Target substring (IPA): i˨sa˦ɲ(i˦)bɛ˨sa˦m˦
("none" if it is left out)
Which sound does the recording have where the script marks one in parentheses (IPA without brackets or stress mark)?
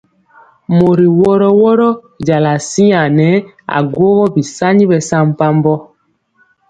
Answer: i˦